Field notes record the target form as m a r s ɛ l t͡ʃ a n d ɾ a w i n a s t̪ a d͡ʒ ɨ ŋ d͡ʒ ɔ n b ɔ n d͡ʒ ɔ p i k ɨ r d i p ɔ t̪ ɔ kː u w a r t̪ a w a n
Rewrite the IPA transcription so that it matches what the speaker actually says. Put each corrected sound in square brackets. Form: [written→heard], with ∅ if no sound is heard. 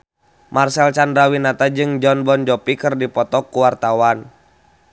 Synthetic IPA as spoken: m a r s ɛ l t͡ʃ a n d ɾ a w i n a [s→∅] t̪ a d͡ʒ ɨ ŋ d͡ʒ ɔ n b ɔ n d͡ʒ ɔ p i k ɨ r d i p ɔ t̪ ɔ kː u w a r t̪ a w a n